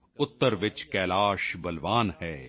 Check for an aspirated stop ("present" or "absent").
absent